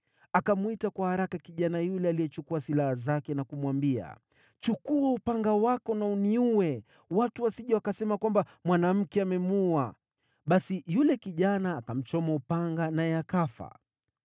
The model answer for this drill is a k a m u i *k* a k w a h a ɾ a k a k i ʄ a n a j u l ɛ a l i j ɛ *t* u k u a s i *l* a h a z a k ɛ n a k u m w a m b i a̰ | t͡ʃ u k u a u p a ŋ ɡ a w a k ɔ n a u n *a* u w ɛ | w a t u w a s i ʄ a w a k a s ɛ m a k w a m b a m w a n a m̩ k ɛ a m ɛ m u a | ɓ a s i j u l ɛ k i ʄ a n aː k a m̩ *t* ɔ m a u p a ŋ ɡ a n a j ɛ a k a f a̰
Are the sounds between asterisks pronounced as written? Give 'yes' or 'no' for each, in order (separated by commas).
no, no, yes, no, no